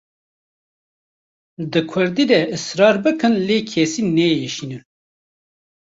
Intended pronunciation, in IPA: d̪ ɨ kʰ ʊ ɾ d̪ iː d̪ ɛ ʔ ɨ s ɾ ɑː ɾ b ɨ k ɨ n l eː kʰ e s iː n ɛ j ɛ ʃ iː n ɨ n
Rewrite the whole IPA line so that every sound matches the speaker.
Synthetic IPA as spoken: d̪ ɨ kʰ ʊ ɾ d̪ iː d̪ ɛ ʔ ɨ s ɾ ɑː ɾ b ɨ k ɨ n l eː kʰ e s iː n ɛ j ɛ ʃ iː n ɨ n